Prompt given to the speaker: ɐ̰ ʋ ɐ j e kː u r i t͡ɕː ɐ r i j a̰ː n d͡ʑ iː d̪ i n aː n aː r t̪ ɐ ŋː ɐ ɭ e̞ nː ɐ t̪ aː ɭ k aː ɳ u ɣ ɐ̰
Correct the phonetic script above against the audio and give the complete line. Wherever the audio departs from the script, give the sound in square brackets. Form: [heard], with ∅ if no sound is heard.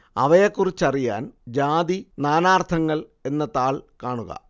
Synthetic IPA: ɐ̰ ʋ ɐ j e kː u r i t͡ɕː ɐ r i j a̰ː n d͡ʑ [aː] d̪ i n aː n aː r [t̪ʰ] ɐ ŋː ɐ ɭ e̞ nː ɐ t̪ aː ɭ k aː ɳ u ɣ ɐ̰